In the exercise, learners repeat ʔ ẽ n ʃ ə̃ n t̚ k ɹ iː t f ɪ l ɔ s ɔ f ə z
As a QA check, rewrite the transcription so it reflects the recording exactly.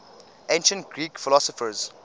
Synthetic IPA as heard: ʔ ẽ n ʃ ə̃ n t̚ ɡ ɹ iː k f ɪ l ɔ s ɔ f ə z